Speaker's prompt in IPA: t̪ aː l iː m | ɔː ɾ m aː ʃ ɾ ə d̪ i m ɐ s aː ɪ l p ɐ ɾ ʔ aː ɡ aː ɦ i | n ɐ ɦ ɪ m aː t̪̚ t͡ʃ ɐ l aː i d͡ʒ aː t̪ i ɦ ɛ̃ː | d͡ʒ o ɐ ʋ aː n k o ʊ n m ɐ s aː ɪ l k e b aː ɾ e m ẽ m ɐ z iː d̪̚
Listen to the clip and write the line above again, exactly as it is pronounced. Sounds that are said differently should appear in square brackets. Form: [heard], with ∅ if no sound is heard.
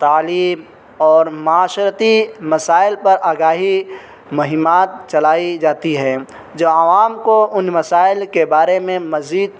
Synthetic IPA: t̪ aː l iː m | ɔː ɾ m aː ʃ ɾ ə [t̪] i m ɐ s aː ɪ l p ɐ ɾ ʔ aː ɡ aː ɦ i | [m] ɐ ɦ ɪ m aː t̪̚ t͡ʃ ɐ l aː i d͡ʒ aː t̪ i ɦ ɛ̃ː | d͡ʒ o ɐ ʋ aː [m] k o ʊ n m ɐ s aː ɪ l k e b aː ɾ e m ẽ m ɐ z iː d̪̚